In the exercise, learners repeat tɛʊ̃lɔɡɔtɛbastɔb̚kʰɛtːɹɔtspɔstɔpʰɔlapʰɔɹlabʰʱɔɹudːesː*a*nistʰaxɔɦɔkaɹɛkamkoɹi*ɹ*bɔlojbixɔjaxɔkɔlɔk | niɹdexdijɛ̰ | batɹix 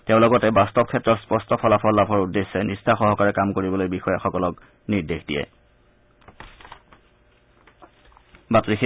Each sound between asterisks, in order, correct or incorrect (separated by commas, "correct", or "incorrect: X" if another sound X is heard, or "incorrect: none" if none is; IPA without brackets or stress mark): incorrect: ɛ, incorrect: none